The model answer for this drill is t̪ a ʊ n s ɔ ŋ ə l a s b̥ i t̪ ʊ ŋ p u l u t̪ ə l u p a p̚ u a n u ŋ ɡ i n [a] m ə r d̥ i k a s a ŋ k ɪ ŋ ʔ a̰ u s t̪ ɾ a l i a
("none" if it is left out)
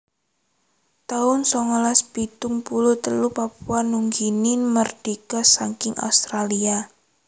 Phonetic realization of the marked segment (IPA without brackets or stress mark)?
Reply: i